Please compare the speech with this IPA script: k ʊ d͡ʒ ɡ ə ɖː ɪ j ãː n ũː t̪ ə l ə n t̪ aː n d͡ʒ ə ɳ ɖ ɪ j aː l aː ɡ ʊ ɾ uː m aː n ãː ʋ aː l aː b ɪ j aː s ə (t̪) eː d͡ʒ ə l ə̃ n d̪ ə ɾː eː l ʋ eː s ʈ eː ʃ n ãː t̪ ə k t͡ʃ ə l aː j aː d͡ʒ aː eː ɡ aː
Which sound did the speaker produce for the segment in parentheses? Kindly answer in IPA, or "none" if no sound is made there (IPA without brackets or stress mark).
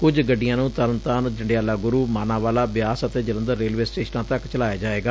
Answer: t̪